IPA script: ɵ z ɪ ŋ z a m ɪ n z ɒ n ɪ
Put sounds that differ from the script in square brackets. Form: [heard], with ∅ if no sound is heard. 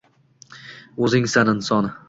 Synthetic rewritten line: ɵ z ɪ ŋ [s] a [n] ɪ n [s] ɒ n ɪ